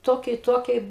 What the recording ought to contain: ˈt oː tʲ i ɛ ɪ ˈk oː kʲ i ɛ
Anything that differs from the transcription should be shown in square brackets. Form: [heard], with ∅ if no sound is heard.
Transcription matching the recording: ˈt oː [kʲ] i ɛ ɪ [ˈt] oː kʲ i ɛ